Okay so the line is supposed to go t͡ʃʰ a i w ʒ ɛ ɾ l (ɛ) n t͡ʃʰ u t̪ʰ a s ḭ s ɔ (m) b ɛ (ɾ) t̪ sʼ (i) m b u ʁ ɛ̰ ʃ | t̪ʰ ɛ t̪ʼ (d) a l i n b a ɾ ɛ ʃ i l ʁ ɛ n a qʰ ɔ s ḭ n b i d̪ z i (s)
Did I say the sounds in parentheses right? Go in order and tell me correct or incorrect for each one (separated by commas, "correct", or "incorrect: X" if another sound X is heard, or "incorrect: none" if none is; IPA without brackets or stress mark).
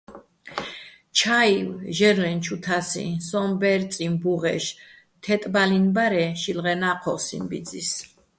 correct, correct, correct, correct, incorrect: b, correct